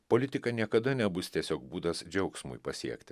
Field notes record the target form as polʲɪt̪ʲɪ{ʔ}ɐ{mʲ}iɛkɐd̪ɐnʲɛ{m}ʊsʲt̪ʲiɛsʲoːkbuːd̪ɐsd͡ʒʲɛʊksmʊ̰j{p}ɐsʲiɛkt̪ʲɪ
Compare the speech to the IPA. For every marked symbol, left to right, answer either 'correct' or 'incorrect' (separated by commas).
incorrect, incorrect, incorrect, correct